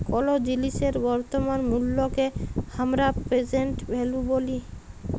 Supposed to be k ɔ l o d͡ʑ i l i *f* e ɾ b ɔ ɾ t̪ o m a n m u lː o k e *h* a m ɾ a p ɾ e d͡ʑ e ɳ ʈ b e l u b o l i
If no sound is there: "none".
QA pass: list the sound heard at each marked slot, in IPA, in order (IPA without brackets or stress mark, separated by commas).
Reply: ʃ, h